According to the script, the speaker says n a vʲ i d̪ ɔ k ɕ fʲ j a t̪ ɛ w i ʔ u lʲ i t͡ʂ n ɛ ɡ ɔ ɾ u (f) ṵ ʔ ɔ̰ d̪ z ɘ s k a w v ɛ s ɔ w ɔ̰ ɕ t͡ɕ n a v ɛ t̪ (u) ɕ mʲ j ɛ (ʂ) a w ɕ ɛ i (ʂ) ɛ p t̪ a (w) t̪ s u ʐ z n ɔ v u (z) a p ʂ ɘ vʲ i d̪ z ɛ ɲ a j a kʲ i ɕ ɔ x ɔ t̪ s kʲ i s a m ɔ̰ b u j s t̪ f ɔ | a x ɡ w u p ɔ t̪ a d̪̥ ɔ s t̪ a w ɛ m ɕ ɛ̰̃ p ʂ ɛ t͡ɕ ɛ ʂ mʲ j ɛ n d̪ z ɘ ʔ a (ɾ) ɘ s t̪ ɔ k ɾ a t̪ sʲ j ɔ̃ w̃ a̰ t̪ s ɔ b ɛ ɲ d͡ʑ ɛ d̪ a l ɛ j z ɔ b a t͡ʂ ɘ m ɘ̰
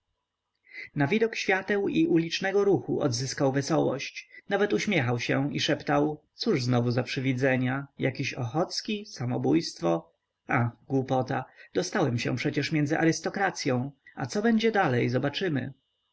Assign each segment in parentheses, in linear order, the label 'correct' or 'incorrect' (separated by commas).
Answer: incorrect, correct, incorrect, correct, correct, correct, correct